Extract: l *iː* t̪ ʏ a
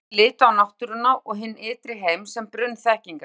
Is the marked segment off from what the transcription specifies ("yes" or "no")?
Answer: yes